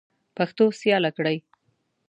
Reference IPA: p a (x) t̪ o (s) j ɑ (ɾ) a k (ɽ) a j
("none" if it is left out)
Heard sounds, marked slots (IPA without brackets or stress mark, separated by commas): x, s, l, ɽ